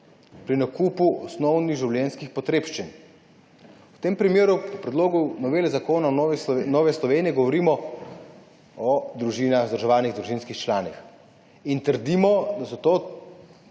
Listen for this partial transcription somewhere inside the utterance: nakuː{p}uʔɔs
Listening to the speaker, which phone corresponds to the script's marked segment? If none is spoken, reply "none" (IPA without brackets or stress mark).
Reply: p